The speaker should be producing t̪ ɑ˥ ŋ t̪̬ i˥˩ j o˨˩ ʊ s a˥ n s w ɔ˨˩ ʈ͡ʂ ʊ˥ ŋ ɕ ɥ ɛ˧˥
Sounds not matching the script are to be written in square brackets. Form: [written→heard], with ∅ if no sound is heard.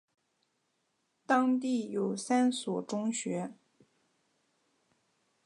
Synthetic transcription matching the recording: t̪ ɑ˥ ŋ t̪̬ i˥˩ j o˨˩ ʊ s a˥ n s w ɔ˨˩ ʈ͡ʂ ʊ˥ ŋ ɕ ɥ ɛ˧˥